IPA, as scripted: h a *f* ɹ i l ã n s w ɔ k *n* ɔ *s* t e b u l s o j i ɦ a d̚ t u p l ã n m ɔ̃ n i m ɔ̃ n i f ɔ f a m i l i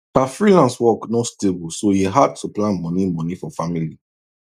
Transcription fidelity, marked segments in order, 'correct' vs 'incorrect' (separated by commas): correct, correct, correct